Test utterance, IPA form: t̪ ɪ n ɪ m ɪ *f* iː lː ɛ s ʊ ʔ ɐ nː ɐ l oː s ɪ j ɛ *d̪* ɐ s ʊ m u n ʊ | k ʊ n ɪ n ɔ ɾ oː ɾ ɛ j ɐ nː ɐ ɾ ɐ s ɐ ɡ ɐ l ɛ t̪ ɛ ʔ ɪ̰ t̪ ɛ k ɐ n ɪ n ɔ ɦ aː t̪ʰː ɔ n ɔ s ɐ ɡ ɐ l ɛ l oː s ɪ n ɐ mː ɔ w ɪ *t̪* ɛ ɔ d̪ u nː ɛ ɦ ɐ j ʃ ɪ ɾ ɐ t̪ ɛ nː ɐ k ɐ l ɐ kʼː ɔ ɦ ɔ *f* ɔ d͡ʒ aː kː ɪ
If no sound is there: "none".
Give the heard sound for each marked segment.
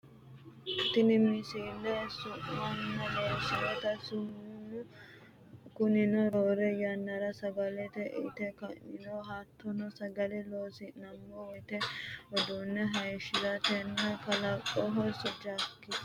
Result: s, t̪, t̪, s

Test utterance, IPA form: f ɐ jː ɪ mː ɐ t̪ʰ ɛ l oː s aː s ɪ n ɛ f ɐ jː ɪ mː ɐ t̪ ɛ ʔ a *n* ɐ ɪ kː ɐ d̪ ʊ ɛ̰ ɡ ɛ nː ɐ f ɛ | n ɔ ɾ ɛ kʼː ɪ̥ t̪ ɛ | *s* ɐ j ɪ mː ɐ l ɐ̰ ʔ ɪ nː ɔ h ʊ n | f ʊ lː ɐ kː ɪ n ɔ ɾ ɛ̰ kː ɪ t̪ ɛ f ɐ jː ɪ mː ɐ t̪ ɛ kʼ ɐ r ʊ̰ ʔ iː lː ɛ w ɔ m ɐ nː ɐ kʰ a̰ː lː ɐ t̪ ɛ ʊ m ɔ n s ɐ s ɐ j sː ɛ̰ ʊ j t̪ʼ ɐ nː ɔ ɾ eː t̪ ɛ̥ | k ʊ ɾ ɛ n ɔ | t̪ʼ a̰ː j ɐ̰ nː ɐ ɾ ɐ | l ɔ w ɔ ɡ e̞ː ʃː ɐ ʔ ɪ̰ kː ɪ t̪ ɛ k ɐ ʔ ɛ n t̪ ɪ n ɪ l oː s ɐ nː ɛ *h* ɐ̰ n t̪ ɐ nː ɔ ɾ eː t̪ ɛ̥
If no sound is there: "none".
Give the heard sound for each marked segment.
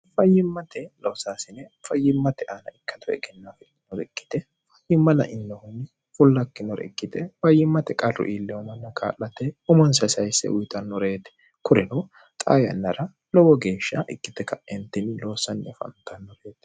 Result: n, f, f

